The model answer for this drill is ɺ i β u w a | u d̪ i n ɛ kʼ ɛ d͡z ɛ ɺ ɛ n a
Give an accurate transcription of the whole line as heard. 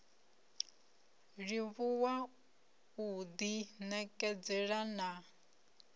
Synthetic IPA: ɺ i β u w a | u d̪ i n ɛ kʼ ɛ d͡z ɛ ɺ a n a